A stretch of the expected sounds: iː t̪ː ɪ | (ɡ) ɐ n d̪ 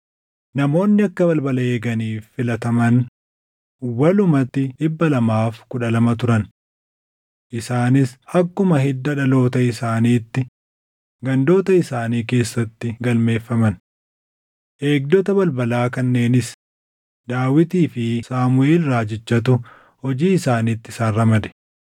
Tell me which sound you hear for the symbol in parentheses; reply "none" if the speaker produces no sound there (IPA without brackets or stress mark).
ɡ